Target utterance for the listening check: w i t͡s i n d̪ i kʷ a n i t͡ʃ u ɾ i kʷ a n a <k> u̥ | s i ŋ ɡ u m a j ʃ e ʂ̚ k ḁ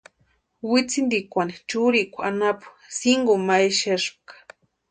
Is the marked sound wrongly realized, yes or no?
yes